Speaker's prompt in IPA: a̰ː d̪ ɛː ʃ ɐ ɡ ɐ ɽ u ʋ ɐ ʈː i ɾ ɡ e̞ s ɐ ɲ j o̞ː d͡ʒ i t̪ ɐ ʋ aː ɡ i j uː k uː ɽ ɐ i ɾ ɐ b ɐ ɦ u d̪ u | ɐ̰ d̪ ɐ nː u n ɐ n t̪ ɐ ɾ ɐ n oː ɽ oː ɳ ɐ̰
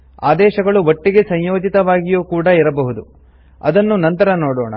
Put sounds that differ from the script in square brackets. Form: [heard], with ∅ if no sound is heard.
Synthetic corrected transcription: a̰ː d̪ ɛː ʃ ɐ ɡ ɐ [ɭ] u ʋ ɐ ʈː i [∅] ɡ e̞ s ɐ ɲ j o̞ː d͡ʒ i t̪ ɐ ʋ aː ɡ i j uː k uː ɽ ɐ i ɾ ɐ b ɐ ɦ u d̪ u | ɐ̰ d̪ ɐ nː u n ɐ n t̪ ɐ ɾ ɐ n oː ɽ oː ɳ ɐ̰

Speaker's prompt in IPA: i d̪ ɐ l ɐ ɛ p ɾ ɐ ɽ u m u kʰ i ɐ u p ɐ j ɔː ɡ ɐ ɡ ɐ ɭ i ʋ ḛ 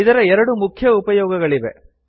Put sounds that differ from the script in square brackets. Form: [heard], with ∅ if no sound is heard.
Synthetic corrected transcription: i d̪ ɐ [ɾ] ɐ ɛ [∅] ɾ ɐ ɽ u m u kʰ [j] ɐ u p ɐ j ɔː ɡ ɐ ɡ ɐ ɭ i ʋ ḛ

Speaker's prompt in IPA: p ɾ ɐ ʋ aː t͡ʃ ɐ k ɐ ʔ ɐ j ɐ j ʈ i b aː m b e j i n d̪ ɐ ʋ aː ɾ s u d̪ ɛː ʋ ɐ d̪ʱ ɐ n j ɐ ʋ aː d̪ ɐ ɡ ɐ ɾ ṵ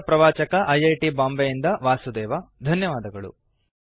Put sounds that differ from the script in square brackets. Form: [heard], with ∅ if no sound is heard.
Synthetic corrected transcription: p ɾ ɐ ʋ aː t͡ʃ ɐ k ɐ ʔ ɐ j ɐ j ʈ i b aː m b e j i n d̪ ɐ ʋ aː [∅] s u d̪ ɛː ʋ ɐ d̪ʱ ɐ n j ɐ ʋ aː d̪ ɐ ɡ ɐ [ɭ] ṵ

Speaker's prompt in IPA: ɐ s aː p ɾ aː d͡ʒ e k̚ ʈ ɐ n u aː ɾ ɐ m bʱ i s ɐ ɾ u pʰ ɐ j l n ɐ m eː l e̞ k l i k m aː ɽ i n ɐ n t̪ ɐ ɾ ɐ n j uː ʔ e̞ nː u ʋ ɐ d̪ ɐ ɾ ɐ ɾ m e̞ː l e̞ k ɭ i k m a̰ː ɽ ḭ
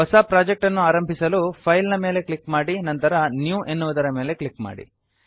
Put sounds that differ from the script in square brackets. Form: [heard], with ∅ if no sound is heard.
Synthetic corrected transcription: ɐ s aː p ɾ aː d͡ʒ e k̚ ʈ ɐ [nː] u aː ɾ ɐ m bʱ i s ɐ [l] u pʰ ɐ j l n ɐ m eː l e̞ k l i k m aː ɽ i n ɐ n t̪ ɐ ɾ ɐ n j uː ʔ e̞ nː u ʋ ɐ d̪ ɐ ɾ ɐ [∅] m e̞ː l e̞ k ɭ i k m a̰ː ɽ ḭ

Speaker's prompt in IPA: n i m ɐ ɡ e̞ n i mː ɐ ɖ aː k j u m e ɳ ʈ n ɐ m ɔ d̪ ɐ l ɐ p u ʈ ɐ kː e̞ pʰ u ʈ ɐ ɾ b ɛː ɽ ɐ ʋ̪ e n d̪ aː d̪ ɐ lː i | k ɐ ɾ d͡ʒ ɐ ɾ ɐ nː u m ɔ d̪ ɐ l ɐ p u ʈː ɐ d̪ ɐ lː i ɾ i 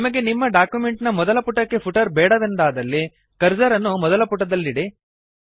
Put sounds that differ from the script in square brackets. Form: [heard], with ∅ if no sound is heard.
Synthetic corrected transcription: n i m ɐ ɡ e̞ n i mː ɐ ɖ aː k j u m e ɳ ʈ n ɐ m ɔ d̪ ɐ l ɐ p u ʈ ɐ kː e̞ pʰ u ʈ ɐ ɾ b ɛː ɽ ɐ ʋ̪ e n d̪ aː d̪ ɐ lː i | k ɐ ɾ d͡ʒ ɐ ɾ ɐ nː u m ɔ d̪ ɐ l ɐ p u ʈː ɐ d̪ ɐ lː i [ɽ] i

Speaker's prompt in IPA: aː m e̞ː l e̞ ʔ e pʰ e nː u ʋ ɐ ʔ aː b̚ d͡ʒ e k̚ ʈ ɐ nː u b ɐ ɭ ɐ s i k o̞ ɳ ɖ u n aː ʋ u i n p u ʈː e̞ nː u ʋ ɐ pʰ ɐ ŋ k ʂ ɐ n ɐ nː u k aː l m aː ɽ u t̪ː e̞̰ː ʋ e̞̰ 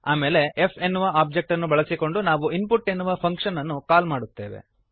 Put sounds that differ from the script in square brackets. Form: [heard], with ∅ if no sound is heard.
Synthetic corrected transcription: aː m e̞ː l e̞ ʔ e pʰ e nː u ʋ ɐ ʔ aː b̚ d͡ʒ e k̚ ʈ ɐ nː u b ɐ ɭ ɐ s i k o̞ ɳ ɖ u n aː ʋ u i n p u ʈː e̞ nː u ʋ ɐ pʰ ɐ ŋ k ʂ ɐ n ɐ nː u k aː l m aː ɽ u t̪ː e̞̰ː ʋ e̞̰

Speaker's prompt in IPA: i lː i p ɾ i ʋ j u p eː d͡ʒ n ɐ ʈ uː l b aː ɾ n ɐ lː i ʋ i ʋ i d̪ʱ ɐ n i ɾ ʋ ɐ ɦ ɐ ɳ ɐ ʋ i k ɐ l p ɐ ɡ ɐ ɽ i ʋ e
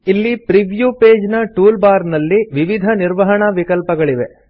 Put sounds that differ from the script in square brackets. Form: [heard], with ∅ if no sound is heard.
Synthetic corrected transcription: i lː i p ɾ i ʋ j u p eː d͡ʒ n ɐ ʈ uː l b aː ɾ n ɐ lː i ʋ i ʋ i d̪ʱ ɐ n i ɾ ʋ ɐ ɦ ɐ ɳ ɐ ʋ i k ɐ l p ɐ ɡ ɐ [ɭ] i ʋ e

